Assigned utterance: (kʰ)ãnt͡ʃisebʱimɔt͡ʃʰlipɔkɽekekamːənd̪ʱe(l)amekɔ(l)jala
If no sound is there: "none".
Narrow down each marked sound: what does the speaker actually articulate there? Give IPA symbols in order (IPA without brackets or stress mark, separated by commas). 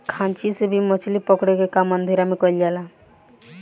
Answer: kʰ, ɾ, l